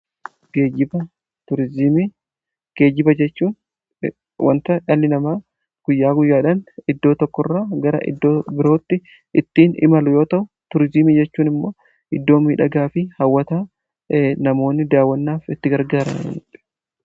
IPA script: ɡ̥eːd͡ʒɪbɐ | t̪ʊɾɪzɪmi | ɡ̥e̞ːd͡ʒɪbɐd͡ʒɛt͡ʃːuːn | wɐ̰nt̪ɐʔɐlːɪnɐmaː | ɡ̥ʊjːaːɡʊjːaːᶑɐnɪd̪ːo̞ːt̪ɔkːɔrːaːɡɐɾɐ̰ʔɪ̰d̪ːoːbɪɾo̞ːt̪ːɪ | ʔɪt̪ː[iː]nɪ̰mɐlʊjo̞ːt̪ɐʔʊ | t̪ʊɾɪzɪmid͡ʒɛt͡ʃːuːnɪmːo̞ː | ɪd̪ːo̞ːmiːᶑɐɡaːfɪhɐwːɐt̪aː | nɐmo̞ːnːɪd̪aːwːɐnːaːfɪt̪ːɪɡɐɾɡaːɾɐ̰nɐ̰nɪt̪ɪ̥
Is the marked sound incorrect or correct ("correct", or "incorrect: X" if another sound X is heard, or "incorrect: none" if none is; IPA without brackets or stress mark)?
correct